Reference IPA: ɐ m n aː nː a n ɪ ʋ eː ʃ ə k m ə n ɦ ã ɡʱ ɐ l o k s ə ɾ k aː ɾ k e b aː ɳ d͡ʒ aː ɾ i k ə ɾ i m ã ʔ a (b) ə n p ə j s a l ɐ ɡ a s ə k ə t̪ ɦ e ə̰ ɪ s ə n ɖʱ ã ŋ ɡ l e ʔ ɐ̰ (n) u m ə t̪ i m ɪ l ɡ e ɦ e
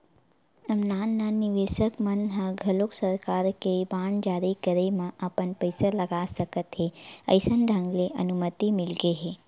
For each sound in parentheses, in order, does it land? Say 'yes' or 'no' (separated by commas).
no, yes